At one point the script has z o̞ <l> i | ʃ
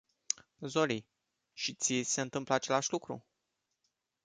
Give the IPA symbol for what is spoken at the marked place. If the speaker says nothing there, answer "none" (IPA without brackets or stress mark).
l